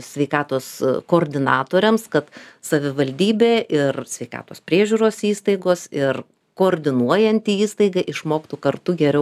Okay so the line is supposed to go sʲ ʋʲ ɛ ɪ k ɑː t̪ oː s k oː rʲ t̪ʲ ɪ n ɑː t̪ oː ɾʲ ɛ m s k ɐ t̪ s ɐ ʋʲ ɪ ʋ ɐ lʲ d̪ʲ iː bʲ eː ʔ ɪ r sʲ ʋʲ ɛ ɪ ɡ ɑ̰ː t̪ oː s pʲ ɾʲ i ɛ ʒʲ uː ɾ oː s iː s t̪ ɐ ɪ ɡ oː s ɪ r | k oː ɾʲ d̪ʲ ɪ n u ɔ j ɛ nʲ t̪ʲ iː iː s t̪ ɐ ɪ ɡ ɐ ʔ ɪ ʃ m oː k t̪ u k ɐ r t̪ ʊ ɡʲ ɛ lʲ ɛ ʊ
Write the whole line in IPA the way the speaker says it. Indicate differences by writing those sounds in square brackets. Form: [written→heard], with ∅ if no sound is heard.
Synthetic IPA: sʲ ʋʲ ɛ ɪ k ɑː t̪ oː s k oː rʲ [t̪ʲ→d̪ʲ] ɪ n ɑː t̪ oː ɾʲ ɛ m s k ɐ t̪ s ɐ ʋʲ ɪ ʋ ɐ lʲ d̪ʲ iː bʲ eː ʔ ɪ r sʲ ʋʲ ɛ ɪ [ɡ→k] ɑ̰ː t̪ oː s pʲ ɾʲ i ɛ ʒʲ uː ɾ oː s iː s t̪ ɐ ɪ ɡ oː s ɪ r | k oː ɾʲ d̪ʲ ɪ n u ɔ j ɛ nʲ t̪ʲ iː iː s t̪ ɐ ɪ ɡ ɐ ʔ ɪ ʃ m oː k t̪ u k ɐ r t̪ ʊ ɡʲ ɛ [lʲ→ɾʲ] ɛ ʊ